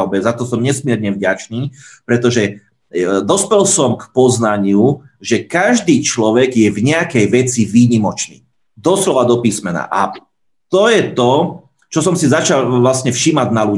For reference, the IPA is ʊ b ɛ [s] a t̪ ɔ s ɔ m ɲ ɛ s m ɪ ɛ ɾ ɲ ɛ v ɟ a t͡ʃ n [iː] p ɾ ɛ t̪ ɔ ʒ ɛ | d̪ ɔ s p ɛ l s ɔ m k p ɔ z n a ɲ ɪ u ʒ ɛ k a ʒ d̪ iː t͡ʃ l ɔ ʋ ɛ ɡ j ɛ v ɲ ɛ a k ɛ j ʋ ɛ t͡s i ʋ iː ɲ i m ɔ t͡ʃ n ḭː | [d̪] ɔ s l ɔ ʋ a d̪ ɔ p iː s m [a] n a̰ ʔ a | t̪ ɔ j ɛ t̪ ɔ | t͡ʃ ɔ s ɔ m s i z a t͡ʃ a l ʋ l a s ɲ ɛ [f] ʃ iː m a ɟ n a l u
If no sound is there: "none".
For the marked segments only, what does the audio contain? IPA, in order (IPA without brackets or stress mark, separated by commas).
z, iː, d̪, ɛ, f